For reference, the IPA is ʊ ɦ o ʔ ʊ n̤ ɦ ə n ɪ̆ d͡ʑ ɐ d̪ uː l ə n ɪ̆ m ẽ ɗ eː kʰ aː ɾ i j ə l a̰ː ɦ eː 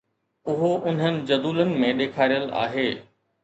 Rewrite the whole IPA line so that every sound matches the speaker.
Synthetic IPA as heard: ʊ ɦ o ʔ ʊ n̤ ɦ ə n ɪ̆ d͡ʑ ɐ d̪ uː l ə n ɪ̆ m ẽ ɗ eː kʰ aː ɾ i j ə l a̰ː ɦ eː